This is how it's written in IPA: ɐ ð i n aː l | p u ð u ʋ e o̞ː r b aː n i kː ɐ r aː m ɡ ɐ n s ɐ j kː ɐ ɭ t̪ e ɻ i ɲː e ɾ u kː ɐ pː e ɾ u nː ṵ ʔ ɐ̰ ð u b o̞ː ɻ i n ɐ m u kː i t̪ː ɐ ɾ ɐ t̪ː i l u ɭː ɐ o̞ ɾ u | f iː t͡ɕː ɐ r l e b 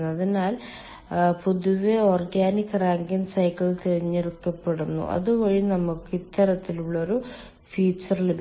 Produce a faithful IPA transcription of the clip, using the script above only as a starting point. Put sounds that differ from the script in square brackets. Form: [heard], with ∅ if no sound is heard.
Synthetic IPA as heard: ɐ ð i n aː l | p u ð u ʋ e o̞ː r [ɡ] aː n i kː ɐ r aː [ŋ] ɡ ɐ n s ɐ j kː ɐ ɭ t̪ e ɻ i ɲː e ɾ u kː ɐ pː e [ɽ] u nː ṵ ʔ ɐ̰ ð u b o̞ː ɻ i n ɐ m u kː i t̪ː ɐ ɾ ɐ t̪ː i l u ɭː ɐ o̞ ɾ u | f iː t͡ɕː ɐ r l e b